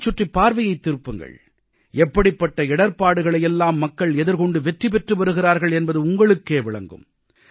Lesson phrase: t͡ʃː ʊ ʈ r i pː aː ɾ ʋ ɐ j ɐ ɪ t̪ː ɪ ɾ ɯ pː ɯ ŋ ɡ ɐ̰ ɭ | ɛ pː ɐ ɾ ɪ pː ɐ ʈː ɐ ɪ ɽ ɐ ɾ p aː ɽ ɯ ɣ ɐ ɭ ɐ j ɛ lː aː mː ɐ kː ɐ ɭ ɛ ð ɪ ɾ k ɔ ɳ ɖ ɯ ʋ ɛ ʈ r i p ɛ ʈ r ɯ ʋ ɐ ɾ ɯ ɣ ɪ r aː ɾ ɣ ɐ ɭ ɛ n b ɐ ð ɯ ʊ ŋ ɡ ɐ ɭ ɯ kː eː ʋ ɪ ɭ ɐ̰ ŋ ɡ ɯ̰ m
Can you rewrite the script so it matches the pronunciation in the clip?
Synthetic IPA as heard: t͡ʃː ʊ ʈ r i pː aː ɾ ʋ ɐ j ɐ ɪ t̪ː ɪ ɾ ɯ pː ɯ ŋ ɡ ɐ̰ ɭ | ɛ pː ɐ ɽ ɪ pː ɐ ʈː ɐ ɪ ɽ ɐ ɾ p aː ɽ ɯ ɣ ɐ ɭ ɐ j ɛ lː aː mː ɐ kː ɐ ɭ ɛ ð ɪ ɾ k ɔ ɳ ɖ ɯ ʋ ɛ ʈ r i p ɛ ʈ r ɯ ʋ ɐ ɾ ɯ ɣ ɪ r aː ɾ ɣ ɐ ɭ ɛ n b ɐ ð ɯ ʊ ŋ ɡ ɐ ɭ ɯ kː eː ʋ ɪ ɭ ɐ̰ ŋ ɡ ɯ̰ m

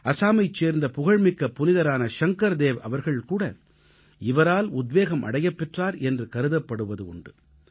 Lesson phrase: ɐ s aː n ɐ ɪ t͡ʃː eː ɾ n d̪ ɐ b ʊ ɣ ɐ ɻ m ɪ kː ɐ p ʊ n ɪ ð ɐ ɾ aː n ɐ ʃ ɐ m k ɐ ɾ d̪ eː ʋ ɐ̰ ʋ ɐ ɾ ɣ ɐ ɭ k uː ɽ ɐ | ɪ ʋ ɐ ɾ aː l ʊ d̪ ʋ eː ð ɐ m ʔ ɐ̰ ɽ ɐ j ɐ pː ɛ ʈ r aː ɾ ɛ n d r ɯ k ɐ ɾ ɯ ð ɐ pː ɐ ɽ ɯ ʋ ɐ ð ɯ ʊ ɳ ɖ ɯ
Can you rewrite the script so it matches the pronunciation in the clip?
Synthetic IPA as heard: ɐ s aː m ɐ ɪ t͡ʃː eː ɾ n d̪ ɐ p ʊ ɣ ɐ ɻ m ɪ kː ɐ p ʊ n ɪ ð ɐ ɾ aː n ɐ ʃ ɐ ŋ k ɐ ɾ d̪ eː ʋ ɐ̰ ʋ ɐ ɾ ɣ ɐ ɭ k uː ɽ ɐ | ɪ ʋ ɐ ɾ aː l ʊ d̪ ʋ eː ɣ ɐ m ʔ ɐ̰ ɽ ɐ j ɐ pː ɛ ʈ r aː ɾ ɛ n d r ɯ k ɐ ɾ ɯ ð ɐ pː ɐ ɽ ɯ ʋ ɐ ð ɯ ʊ ɳ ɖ ɯ

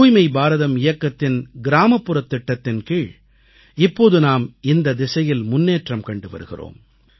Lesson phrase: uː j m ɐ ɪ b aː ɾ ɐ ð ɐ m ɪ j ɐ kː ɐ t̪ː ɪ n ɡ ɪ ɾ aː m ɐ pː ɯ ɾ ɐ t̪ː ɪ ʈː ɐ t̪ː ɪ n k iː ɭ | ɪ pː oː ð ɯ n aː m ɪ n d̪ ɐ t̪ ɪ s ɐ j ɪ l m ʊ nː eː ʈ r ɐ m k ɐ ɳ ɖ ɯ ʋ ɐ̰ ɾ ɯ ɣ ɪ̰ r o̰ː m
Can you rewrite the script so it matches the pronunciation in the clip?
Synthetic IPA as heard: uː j m ɐ ɪ b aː ɾ ɐ ð ɐ m ɪ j ɐ kː ɐ t̪ː ɪ n ɡ ɪ ɾ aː m ɐ pː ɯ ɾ ɐ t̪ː ɪ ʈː ɐ t̪ː ɪ n k iː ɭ | ɪ pː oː ð ɯ n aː m ɪ n d̪ ɐ d̪ ɪ s ɐ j ɪ l m ʊ nː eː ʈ r ɐ m k ɐ ɳ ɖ ɯ ʋ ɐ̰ ɾ ɯ ɣ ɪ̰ r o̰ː m

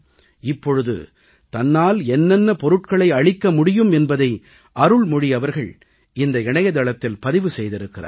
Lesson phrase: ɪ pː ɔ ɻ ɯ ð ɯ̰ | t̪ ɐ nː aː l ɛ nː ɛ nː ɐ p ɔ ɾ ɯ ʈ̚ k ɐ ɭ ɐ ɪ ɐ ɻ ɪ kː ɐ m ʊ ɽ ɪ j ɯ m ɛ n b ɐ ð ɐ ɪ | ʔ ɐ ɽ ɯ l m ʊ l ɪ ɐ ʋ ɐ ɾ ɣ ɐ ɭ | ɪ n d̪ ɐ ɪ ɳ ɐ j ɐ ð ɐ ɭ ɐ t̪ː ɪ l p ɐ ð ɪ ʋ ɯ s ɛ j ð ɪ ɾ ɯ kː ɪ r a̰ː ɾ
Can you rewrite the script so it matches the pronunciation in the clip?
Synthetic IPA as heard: ɪ pː ɔ ɻ ɯ ð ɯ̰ | t̪ ɐ nː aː l ɛ nː ɛ nː ɐ p ɔ ɾ ɯ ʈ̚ k ɐ ɭ ɐ ɪ ɐ ɻ ɪ kː ɐ m ʊ ɽ ɪ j ɯ m ɛ n b ɐ ð ɐ ɪ | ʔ ɐ ɾ ɯ ɭ m ʊ ɽ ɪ ɐ ʋ ɐ ɾ ɣ ɐ ɭ | ɪ n d̪ ɐ ɪ ɳ ɐ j ɐ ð ɐ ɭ ɐ t̪ː ɪ l p ɐ ð ɪ ʋ ɯ s ɛ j ð ɪ ɾ ɯ kː ɪ r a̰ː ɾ

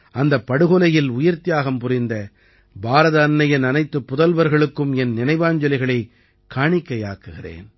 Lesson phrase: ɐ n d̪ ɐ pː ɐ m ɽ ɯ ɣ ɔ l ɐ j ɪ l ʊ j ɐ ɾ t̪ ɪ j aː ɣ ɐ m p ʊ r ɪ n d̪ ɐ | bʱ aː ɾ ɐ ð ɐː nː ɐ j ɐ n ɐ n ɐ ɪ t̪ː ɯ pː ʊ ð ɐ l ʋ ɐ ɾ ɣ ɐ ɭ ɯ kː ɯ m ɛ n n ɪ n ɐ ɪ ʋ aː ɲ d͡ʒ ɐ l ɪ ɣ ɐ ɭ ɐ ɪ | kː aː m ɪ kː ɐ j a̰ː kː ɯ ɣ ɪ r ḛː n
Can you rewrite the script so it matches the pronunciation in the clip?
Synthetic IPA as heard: ɐ n d̪ ɐ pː ɐ ɽ ɯ ɣ ɔ l ɐ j ɪ l ʊ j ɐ ɾ t̪ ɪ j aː ɣ ɐ m p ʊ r ɪ n d̪ ɐ | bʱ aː ɾ ɐ ð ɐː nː ɐ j ɐ n ɐ n ɐ ɪ t̪ː ɯ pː ʊ ð ɐ l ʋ ɐ ɾ ɣ ɐ ɭ ɯ kː ɯ m ɛ n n ɪ n ɐ ɪ ʋ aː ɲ d͡ʒ ɐ l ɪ ɣ ɐ ɭ ɐ ɪ | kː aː ɳ ɪ kː ɐ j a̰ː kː ɯ ɣ ɪ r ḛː n

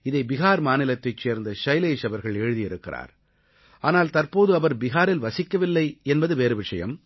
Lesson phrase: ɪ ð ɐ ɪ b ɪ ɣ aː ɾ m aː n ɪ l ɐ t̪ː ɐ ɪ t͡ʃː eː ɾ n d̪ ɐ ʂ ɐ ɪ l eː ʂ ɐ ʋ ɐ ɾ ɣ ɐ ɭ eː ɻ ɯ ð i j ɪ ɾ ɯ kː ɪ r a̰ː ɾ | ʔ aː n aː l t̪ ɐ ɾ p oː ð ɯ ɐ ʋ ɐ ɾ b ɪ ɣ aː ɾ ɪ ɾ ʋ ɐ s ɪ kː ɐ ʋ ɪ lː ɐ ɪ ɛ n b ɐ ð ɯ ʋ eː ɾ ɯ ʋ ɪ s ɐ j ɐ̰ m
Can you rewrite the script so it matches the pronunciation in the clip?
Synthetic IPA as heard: ɪ ð ɐ ɪ b ɪ ɣ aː ɾ m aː n ɪ l ɐ t̪ː ɐ ɪ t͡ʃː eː ɾ n d̪ ɐ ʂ ɐ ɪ l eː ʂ ɐ ʋ ɐ ɾ ɣ ɐ ɭ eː ɻ ɯ ð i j ɪ ɾ ɯ kː ɪ r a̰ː ɾ | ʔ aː n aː l t̪ ɐ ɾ p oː ð ɯ ɐ ʋ ɐ ɾ b ɪ ɣ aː ɾ ɪ l ʋ ɐ s ɪ kː ɐ ʋ ɪ lː ɐ ɪ ɛ n b ɐ ð ɯ ʋ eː ɾ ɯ ʋ ɪ ʂ ɐ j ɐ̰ m

